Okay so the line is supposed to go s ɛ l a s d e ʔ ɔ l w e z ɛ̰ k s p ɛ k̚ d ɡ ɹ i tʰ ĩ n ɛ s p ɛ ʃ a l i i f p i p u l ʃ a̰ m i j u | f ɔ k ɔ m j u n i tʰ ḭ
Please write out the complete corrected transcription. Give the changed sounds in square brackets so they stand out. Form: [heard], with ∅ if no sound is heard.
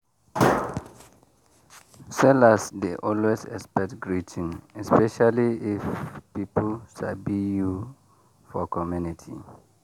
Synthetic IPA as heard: s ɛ l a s d e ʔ ɔ l w e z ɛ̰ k s p ɛ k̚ [t] ɡ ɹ i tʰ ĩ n ɛ s p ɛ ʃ a l i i f p i p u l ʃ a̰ [b] i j u | f ɔ k ɔ m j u n i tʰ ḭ